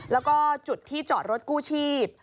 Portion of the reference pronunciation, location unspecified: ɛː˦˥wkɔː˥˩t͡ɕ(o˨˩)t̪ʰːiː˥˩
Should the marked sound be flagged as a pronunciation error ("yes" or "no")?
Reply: yes